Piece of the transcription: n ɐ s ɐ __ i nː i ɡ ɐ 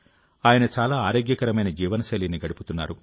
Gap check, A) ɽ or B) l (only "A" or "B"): B